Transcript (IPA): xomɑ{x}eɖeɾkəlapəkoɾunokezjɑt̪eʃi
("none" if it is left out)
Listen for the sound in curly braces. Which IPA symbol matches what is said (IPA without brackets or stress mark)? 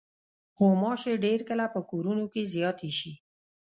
ʃ